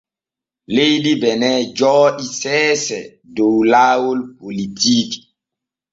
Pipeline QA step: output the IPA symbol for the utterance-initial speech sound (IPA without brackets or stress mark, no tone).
l